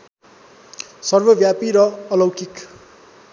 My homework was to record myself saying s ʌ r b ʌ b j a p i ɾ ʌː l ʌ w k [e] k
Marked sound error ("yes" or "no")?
yes